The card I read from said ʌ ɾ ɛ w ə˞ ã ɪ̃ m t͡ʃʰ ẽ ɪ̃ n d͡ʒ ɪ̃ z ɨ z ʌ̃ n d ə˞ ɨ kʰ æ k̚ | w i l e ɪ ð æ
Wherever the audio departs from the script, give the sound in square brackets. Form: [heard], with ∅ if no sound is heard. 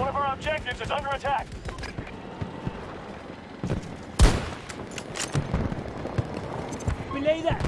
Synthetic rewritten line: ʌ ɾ ɛ [v] ə˞ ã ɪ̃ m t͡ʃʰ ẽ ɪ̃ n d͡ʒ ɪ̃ z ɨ z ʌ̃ n d ə˞ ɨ [tʰ] æ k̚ | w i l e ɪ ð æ